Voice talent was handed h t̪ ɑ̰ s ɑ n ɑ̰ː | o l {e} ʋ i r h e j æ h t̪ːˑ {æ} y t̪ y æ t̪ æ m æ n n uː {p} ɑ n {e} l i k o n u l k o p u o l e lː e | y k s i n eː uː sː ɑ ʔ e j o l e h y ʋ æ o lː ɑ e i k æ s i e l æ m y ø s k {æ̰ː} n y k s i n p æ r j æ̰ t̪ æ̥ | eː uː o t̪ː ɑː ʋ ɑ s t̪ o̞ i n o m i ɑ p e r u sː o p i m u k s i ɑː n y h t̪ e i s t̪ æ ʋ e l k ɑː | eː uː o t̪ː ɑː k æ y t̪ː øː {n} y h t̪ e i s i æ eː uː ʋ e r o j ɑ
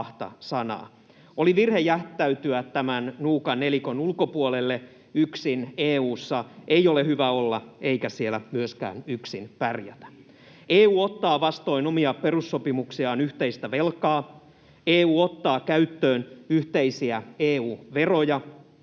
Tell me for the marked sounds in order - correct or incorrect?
incorrect: i, correct, incorrect: k, correct, correct, correct

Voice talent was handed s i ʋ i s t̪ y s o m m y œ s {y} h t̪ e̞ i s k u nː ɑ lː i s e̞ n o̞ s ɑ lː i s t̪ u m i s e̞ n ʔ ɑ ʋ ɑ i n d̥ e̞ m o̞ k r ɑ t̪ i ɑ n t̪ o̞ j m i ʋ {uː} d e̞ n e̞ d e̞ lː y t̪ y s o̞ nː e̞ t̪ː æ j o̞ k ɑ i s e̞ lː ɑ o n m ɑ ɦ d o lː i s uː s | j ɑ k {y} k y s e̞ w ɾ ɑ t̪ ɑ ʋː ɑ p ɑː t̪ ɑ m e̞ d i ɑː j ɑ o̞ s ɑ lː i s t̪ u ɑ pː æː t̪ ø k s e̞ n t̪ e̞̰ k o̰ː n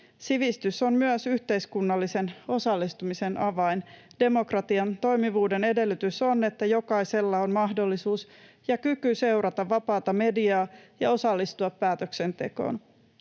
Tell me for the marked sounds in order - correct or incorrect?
correct, correct, correct

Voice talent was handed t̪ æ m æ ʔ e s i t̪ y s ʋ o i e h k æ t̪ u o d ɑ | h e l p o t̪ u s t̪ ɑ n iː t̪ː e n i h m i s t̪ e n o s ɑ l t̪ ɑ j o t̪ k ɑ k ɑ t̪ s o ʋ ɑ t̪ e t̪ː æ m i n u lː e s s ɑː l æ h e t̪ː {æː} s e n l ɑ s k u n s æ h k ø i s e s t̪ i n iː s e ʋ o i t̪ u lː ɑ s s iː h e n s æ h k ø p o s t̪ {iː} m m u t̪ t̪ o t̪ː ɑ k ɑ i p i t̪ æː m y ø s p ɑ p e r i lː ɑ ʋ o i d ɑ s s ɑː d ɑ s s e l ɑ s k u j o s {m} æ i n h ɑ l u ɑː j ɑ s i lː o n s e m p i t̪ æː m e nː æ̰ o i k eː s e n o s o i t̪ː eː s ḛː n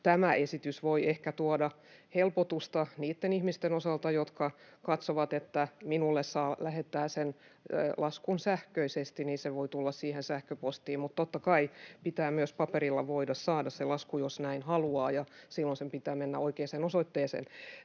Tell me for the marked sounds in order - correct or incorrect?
correct, correct, incorrect: n

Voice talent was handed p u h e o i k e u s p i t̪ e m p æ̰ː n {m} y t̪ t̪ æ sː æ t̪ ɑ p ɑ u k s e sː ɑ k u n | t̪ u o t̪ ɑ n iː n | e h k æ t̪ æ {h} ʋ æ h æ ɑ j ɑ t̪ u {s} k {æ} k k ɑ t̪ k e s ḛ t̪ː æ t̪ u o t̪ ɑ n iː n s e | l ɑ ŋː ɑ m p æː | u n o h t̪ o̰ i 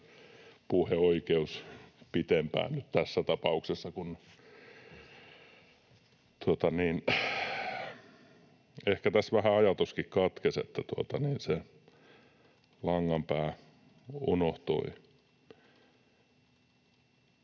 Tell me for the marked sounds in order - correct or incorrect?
incorrect: n, incorrect: s, correct, incorrect: i

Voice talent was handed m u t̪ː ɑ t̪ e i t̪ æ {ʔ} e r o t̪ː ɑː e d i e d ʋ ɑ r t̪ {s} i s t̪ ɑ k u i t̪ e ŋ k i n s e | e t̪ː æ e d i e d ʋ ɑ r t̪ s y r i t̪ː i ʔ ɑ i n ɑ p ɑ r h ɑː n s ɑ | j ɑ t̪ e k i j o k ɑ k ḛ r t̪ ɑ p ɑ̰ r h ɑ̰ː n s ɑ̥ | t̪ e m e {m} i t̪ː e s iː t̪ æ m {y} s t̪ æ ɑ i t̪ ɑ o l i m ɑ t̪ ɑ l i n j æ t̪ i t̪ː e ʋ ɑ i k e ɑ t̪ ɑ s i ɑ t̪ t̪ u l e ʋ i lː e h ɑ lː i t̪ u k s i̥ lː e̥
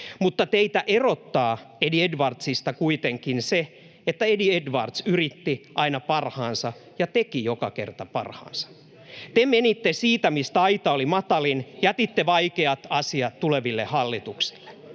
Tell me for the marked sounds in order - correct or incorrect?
correct, correct, incorrect: n, incorrect: i

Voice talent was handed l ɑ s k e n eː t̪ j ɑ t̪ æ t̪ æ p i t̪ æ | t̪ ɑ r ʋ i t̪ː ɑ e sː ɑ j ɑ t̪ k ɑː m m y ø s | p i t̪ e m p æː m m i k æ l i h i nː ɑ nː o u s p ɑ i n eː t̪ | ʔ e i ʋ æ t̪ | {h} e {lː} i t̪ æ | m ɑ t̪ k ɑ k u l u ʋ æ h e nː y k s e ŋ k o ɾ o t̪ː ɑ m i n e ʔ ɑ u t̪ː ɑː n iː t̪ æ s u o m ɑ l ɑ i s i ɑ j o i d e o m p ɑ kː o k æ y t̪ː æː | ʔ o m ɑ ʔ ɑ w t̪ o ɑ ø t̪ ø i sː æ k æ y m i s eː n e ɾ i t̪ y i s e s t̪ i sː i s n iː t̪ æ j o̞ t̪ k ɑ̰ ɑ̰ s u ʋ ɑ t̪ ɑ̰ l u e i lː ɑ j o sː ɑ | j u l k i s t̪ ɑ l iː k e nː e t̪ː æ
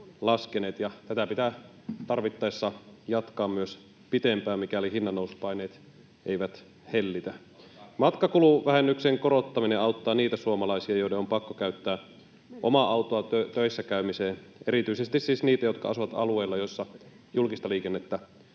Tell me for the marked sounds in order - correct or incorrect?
correct, correct

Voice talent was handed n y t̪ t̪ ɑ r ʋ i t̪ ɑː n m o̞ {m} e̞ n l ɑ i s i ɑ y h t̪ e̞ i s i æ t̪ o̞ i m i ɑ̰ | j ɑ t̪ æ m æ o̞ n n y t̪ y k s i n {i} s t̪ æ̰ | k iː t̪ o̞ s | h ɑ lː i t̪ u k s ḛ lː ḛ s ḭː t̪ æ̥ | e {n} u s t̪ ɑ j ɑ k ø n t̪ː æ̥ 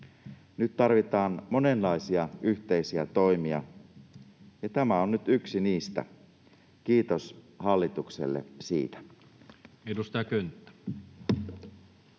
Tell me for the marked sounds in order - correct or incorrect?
incorrect: n, incorrect: iː, incorrect: d

